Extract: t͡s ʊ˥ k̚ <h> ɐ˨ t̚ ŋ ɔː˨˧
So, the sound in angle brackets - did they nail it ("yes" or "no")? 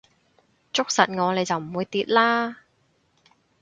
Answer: no